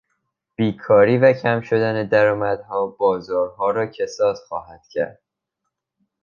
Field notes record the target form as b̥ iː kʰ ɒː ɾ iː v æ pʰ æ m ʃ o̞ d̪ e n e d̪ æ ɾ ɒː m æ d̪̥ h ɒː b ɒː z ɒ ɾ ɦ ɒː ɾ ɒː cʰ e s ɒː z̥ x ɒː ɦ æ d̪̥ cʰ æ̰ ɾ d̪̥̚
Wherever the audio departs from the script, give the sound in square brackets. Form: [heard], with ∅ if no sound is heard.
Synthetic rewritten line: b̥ iː kʰ ɒː ɾ iː v æ [cʰ] æ m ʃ o̞ d̪ [æ] n e d̪ æ ɾ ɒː m æ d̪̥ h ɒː b ɒː z [ɒː] ɾ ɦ ɒː ɾ ɒː cʰ e s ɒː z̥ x ɒː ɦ æ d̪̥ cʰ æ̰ ɾ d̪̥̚